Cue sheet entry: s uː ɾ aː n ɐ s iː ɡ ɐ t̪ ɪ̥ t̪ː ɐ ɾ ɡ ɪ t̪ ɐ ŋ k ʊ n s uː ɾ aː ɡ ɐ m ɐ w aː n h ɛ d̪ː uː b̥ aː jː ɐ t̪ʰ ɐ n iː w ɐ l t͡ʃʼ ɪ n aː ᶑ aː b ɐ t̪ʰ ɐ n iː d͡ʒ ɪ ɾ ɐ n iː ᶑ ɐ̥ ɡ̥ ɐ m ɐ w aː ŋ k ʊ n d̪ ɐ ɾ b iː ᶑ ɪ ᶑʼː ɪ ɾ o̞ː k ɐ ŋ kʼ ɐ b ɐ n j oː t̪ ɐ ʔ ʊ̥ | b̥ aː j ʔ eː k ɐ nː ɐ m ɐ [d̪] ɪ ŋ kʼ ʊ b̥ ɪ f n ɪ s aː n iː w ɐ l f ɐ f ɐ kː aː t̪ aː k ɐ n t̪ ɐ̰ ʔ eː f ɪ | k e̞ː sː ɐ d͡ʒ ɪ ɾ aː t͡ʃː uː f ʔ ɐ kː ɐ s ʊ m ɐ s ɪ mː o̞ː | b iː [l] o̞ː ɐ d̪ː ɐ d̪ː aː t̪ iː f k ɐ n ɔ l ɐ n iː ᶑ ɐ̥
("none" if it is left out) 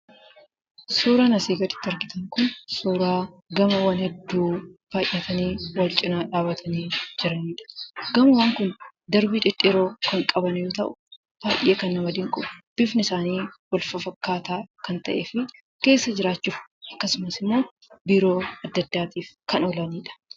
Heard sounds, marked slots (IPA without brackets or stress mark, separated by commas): d̪, ɾ